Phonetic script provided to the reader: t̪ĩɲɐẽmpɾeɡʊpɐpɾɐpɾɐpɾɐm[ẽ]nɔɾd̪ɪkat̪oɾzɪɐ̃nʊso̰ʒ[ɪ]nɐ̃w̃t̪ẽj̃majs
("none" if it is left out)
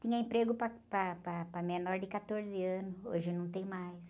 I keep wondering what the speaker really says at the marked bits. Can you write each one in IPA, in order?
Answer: e, ɪ

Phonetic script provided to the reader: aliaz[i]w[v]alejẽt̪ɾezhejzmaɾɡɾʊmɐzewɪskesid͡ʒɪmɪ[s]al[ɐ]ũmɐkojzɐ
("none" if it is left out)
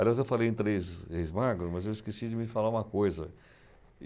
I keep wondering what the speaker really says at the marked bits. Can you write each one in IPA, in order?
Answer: e, f, f, a

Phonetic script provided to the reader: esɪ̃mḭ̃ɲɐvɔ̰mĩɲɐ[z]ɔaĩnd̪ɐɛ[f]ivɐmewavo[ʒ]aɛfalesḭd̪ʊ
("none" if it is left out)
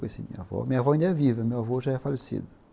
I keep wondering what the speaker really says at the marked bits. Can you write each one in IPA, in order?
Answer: v, v, ʒ

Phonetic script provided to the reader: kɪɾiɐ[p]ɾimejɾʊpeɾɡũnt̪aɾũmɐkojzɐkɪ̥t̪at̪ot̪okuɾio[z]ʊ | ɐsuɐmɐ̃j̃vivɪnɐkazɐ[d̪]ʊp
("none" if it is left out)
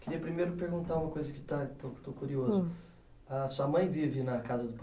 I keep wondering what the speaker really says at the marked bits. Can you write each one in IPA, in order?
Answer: p, z, d̪

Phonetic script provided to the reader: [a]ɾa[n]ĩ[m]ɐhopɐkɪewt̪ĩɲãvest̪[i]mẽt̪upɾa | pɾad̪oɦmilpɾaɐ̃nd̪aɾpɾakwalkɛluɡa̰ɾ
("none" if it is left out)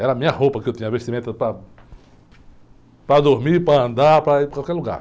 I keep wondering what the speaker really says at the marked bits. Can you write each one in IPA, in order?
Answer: ɛ, m, ɲ, i

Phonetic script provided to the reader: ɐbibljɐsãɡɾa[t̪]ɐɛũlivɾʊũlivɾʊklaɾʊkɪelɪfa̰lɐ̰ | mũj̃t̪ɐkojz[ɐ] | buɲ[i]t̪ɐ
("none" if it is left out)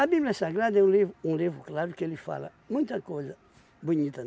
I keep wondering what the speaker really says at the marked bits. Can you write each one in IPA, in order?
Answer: d̪, ɐ, i

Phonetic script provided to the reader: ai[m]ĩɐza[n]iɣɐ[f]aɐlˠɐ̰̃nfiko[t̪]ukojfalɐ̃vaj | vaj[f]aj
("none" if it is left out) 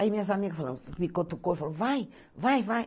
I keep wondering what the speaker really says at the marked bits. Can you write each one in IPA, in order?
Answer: m, m, f, t̪, v

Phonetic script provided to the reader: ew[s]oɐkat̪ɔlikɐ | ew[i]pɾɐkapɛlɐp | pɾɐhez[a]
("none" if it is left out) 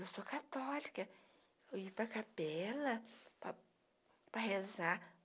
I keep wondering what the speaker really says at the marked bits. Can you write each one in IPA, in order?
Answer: s, i, a

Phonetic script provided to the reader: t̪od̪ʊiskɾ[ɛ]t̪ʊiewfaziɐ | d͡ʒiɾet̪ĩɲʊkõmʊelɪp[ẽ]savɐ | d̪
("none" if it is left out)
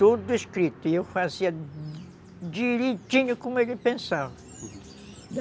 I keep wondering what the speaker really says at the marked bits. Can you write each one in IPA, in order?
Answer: i, ẽ

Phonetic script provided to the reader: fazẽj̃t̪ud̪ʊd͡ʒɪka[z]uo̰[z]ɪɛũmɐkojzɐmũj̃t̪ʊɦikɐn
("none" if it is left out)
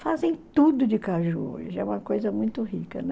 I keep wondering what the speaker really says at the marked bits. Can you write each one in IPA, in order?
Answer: ʒ, ʒ

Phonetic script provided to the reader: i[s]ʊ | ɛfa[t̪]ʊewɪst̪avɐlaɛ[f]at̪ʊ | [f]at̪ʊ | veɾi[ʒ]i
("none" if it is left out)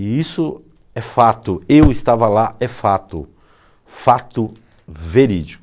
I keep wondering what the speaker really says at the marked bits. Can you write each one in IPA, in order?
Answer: s, t̪, f, f, d͡ʒ

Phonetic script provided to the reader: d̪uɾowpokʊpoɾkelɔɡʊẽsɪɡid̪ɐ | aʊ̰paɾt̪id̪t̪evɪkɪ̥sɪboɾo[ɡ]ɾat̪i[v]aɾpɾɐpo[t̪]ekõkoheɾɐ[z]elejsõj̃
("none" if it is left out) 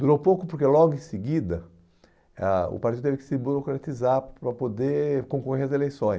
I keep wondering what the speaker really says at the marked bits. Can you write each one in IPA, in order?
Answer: k, z, d̪, z

